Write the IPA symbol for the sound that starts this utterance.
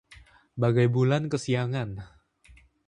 b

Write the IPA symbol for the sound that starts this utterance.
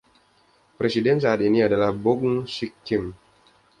p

